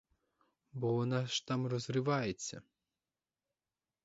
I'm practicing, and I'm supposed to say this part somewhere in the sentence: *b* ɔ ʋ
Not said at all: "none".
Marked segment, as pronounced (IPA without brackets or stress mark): b